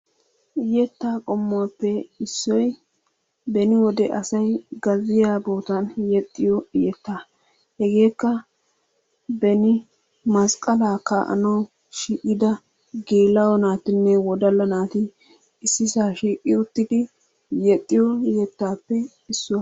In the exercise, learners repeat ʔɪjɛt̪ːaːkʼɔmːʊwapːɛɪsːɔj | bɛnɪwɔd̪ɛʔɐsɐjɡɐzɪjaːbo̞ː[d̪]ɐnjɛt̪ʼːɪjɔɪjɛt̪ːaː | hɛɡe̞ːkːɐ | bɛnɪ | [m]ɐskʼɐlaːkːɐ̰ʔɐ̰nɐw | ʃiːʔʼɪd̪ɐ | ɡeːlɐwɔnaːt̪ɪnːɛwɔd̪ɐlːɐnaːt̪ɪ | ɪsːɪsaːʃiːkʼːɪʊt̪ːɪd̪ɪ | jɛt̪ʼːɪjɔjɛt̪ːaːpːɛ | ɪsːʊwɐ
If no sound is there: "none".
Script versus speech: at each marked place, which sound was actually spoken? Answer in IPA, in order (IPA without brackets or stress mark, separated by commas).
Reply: t̪, m